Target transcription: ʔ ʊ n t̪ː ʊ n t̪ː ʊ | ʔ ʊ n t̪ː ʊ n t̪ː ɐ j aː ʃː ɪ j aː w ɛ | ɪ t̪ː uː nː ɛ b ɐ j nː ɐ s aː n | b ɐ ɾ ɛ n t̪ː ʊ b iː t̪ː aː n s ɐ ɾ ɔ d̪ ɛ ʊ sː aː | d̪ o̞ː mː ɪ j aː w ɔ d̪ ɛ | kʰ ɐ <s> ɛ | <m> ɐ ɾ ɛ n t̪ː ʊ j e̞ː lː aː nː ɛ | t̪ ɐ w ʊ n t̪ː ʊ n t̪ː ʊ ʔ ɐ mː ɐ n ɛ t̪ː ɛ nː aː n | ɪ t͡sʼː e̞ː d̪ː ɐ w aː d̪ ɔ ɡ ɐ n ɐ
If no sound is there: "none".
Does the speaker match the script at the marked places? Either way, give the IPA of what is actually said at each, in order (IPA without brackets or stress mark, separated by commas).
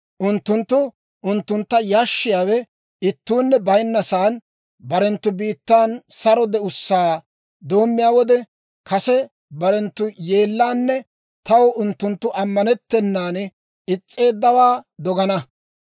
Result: s, b